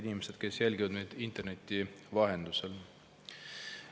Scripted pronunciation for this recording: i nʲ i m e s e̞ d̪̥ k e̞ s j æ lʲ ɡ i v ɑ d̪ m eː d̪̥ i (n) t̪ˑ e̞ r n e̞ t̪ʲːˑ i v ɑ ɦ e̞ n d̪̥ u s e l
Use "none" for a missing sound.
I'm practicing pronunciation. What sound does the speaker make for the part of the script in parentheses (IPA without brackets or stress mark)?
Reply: n